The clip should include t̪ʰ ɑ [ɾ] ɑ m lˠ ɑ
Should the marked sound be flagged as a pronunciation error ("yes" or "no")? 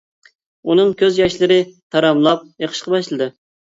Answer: no